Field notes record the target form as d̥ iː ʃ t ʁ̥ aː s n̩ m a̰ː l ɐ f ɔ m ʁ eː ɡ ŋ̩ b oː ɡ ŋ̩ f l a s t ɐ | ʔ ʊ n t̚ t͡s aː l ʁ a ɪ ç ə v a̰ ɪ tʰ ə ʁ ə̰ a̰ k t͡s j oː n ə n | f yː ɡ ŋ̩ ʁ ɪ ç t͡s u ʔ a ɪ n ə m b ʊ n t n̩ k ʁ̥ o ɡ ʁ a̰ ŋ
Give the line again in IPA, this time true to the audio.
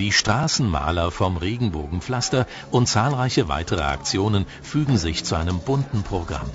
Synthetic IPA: d̥ iː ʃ t ʁ̥ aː s n̩ m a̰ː l ɐ f ɔ m ʁ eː ɡ ŋ̩ b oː ɡ ŋ̩ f l a s t ɐ | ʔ ʊ n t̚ t͡s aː l ʁ a ɪ ç ə v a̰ ɪ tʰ ə ʁ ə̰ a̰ k t͡s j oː n ə n | f yː ɡ ŋ̩ z ɪ ç t͡s u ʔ a ɪ n ə m b ʊ n t n̩ p ʁ̥ o ɡ ʁ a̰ m